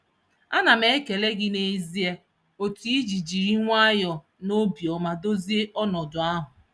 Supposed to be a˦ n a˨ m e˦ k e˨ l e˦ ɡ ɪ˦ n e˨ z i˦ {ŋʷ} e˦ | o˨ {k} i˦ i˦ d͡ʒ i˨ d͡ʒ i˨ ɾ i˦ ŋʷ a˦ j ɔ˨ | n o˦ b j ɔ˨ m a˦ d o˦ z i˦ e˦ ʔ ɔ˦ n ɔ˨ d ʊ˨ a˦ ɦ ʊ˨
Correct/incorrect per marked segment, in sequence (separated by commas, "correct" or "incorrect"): incorrect, incorrect